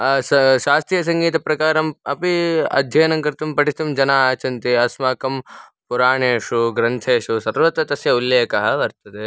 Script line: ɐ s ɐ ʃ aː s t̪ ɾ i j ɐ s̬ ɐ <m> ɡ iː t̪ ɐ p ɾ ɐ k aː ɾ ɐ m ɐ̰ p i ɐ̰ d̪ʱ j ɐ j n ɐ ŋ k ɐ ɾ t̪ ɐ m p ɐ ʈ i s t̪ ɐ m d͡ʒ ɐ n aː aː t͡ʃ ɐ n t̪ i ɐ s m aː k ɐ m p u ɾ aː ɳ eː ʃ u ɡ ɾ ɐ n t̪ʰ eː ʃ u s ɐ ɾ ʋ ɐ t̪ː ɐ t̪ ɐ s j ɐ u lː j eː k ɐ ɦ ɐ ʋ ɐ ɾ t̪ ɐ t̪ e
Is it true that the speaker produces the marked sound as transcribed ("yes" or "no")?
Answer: no